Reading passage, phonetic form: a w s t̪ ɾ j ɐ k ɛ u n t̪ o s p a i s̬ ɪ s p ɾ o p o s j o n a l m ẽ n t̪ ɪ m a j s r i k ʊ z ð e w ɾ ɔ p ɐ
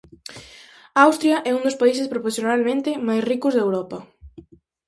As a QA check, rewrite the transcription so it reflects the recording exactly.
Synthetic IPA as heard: a w s t̪ ɾ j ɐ ʔ ɛ u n d̪ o s p a i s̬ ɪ s p ɾ o p o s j o n a l m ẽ n t̪ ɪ m a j s r i k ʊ z ð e w ɾ ɔ p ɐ